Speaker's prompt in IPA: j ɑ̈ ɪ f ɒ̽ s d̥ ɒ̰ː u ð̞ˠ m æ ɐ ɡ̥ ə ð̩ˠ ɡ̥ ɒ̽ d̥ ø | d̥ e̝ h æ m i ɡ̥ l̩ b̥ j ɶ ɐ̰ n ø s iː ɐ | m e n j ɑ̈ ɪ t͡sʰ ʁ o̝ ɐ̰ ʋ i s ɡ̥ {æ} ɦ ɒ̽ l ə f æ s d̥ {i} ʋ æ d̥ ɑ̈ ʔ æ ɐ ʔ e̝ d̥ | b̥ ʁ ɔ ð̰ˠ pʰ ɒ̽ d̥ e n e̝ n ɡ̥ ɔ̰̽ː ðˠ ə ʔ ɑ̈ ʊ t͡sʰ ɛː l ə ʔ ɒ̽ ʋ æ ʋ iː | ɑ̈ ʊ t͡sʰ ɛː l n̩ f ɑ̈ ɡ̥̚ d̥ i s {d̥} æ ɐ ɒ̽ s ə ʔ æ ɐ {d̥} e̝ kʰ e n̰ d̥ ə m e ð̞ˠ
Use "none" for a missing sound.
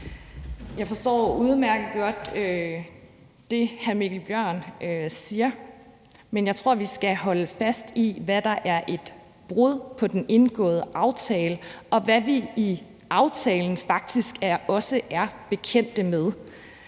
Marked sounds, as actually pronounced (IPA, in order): æ, i, ɡ̥, b̥

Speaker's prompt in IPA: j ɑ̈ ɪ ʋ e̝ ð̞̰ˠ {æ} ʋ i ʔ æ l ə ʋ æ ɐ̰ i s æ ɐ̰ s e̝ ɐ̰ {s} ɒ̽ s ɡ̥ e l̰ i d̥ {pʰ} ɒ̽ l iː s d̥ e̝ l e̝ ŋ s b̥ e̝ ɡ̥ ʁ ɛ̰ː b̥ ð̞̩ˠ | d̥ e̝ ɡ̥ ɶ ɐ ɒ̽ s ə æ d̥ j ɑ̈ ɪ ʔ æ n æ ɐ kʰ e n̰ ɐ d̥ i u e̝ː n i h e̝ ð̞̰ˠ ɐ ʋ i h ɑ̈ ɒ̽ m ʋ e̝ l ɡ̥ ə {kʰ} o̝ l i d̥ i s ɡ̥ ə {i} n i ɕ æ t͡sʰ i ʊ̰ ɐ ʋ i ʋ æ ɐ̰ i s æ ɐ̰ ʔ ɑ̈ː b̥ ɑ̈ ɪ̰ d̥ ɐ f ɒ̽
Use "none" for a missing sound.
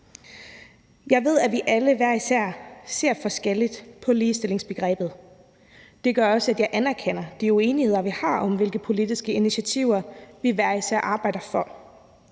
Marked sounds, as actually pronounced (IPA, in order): æ, f, pʰ, pʰ, i

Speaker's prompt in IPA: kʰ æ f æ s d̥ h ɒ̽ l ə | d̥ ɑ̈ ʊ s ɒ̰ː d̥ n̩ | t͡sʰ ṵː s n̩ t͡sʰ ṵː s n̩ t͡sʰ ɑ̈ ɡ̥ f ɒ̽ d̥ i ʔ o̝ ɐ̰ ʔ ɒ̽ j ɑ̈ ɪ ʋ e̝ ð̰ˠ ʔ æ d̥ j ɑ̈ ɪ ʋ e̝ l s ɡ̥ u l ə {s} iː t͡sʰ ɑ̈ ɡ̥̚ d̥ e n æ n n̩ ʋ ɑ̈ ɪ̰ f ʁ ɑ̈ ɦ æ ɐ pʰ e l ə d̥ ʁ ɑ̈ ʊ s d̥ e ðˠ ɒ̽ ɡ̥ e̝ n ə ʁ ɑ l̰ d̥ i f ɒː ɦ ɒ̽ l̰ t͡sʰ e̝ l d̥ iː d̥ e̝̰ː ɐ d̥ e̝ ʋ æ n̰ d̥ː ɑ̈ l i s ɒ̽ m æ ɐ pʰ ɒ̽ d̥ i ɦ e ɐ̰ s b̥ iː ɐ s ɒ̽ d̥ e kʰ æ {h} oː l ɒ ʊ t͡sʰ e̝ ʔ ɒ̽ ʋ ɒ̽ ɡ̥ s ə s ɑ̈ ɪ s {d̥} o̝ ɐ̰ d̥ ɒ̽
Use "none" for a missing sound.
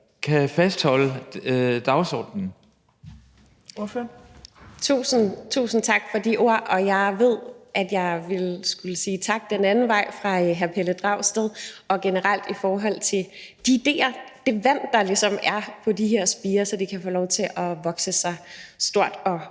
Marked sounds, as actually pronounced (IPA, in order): s, f, d̥

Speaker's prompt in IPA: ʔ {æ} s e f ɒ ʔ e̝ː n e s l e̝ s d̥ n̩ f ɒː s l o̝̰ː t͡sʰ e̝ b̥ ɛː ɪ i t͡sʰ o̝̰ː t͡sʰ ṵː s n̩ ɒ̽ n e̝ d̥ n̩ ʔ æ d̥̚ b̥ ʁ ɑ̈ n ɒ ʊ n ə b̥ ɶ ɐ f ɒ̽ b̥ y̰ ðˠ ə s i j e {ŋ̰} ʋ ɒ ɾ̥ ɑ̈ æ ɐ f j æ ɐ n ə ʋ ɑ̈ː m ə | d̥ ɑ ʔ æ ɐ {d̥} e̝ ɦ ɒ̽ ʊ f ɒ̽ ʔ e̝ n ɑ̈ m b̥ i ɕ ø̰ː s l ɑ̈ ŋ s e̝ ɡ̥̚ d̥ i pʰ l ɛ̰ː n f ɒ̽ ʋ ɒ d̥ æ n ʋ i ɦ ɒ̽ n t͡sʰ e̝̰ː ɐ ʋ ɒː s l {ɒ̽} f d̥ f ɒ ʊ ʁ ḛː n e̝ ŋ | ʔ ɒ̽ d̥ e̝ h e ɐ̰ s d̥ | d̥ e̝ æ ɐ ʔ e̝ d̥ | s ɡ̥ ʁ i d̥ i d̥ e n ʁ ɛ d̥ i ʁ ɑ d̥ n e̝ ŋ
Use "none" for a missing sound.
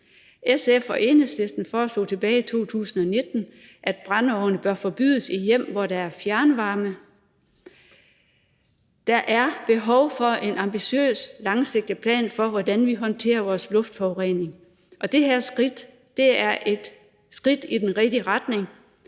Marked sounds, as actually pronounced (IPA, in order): e, m̰, b̥, ɔ̽

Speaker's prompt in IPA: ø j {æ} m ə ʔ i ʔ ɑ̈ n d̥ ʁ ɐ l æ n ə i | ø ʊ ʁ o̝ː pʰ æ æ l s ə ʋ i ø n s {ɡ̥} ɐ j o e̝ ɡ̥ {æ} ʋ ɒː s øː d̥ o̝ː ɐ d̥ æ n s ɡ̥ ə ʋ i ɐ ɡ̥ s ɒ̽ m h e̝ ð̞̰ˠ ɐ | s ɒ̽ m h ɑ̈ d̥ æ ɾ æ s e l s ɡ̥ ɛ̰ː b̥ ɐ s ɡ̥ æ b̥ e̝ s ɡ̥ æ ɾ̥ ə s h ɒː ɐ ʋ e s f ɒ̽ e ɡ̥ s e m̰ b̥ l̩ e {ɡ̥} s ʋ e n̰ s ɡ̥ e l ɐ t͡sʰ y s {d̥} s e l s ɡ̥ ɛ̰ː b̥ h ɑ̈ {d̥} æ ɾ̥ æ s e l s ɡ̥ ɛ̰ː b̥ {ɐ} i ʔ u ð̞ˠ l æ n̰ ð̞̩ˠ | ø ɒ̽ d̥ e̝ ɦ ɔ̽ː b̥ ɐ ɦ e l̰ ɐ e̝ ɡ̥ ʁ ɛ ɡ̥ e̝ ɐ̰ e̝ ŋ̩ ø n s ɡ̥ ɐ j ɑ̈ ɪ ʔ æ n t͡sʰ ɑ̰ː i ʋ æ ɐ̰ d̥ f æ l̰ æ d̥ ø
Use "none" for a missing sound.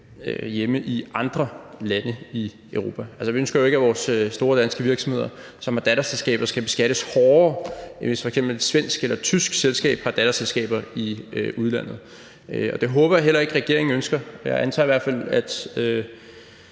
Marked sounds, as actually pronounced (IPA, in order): e, ɡ̥, æ, d̥, ɡ̥, d̥, ɐ

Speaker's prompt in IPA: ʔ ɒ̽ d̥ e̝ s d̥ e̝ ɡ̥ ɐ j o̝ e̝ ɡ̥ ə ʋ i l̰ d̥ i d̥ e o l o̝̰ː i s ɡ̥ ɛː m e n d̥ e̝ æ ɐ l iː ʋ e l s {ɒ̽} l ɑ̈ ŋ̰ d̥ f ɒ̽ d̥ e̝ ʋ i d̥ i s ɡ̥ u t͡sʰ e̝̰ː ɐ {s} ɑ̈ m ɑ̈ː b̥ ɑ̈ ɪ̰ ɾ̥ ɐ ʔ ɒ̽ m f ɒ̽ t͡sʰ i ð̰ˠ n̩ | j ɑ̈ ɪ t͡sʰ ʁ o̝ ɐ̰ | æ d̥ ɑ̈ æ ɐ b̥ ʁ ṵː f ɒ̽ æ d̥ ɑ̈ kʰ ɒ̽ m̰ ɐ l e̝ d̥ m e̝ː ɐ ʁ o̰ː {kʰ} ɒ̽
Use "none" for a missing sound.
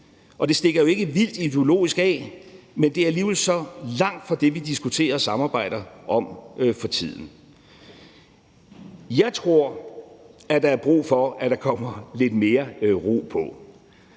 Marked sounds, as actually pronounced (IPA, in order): ɒ̽, s, pʰ

